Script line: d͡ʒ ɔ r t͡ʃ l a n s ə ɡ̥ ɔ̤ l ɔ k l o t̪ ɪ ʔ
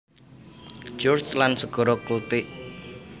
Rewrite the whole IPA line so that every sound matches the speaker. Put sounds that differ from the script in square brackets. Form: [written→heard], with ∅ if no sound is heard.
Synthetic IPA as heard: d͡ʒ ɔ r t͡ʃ l a n s ə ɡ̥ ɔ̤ [l→ɾ] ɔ k l [o→u] t̪ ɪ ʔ